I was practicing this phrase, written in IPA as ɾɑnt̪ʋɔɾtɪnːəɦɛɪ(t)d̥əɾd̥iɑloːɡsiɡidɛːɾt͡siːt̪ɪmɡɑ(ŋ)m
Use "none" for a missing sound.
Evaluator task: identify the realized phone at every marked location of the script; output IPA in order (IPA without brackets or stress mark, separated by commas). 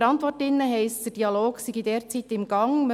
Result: s, ŋ